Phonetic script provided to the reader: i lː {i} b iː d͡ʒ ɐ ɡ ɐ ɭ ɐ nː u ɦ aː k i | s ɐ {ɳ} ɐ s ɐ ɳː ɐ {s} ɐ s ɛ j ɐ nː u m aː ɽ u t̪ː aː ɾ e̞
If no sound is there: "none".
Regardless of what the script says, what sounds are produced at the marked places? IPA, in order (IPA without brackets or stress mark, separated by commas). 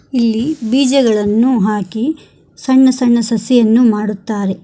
i, ɳː, s